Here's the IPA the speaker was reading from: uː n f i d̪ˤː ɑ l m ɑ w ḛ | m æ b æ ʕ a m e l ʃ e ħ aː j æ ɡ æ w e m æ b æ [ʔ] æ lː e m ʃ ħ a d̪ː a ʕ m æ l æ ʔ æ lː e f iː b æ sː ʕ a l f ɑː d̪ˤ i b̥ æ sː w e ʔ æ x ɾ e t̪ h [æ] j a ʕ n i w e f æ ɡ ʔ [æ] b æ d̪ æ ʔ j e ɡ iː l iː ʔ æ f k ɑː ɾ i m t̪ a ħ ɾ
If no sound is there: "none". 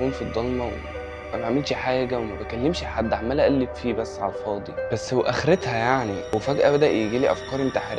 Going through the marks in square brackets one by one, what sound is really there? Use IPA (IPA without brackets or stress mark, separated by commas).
k, æ, æ